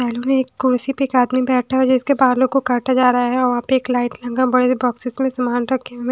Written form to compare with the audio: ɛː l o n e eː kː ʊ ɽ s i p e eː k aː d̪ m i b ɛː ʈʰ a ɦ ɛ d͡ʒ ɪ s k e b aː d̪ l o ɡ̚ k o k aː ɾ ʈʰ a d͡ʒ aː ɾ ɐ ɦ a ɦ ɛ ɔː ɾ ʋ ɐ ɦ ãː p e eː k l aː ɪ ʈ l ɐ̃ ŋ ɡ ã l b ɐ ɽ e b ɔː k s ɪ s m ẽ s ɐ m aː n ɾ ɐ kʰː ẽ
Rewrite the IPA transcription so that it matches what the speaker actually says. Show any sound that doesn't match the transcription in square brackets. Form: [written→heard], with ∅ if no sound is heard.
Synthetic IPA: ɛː l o n e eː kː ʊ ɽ s i p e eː k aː d̪ m i b ɛː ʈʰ a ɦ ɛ d͡ʒ ɪ s k e b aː d̪ l o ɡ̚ k o k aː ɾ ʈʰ a d͡ʒ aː ɾ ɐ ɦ a ɦ ɛ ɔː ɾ ʋ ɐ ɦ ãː p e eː k l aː ɪ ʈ l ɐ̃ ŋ ɡ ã [l→∅] b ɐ ɽ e b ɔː k s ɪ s m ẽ s ɐ m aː n ɾ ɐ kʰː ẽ

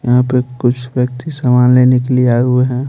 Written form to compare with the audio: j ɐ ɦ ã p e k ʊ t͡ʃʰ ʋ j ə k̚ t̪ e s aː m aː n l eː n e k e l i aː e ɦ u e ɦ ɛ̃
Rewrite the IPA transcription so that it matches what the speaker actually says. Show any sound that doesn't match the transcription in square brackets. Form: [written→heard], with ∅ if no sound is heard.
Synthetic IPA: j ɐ ɦ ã p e k ʊ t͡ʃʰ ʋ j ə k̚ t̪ [e→i] s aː m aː n l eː n e k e l i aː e ɦ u e ɦ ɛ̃

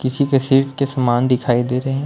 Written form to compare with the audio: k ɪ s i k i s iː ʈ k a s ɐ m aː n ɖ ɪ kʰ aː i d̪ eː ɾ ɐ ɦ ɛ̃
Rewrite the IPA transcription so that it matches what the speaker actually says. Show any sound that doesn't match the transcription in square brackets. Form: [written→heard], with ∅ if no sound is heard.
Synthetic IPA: k ɪ s i k [i→e] s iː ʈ k [a→e] s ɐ m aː n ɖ ɪ kʰ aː i d̪ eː ɾ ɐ ɦ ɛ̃

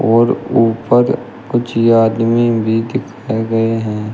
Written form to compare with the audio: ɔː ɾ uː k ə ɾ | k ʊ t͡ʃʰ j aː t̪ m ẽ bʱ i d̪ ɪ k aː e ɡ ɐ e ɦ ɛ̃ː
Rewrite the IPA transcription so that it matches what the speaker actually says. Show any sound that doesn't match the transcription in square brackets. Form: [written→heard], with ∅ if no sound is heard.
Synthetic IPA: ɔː ɾ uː [k→p] ə ɾ | k ʊ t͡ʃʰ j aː [t̪→d̪] m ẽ bʱ i d̪ ɪ [k→kʰ] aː e ɡ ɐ e ɦ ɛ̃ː

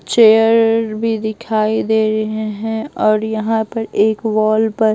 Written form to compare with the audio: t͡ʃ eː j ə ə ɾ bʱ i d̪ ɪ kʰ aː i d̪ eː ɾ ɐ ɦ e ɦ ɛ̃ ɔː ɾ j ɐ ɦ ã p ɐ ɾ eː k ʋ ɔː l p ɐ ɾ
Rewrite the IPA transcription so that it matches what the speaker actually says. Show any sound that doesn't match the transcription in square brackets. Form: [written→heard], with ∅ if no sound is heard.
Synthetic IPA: t͡ʃ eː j ə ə ɾ bʱ i d̪ ɪ kʰ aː i d̪ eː ɾ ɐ ɦ e ɦ ɛ̃ ɔː ɾ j ɐ ɦ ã p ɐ ɾ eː k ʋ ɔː l p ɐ ɾ

